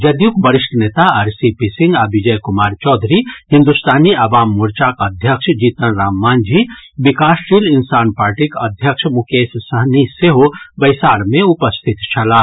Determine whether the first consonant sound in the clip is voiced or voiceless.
voiced